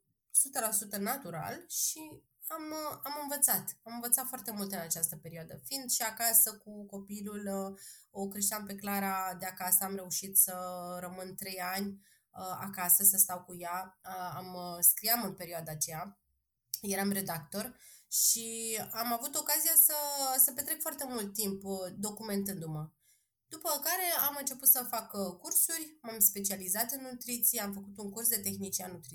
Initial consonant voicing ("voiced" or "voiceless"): voiceless